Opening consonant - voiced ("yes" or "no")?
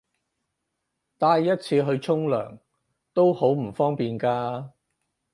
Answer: no